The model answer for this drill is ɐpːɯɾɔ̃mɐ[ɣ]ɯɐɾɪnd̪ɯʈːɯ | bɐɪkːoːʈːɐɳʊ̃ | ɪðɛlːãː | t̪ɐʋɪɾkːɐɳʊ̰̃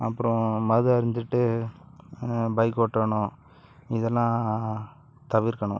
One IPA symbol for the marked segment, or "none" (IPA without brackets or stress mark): ð